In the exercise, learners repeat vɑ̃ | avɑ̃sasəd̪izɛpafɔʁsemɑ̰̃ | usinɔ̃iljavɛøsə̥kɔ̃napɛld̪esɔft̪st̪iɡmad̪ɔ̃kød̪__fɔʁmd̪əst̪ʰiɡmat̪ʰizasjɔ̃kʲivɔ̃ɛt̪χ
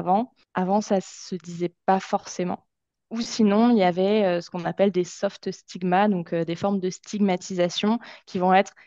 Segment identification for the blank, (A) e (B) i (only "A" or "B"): A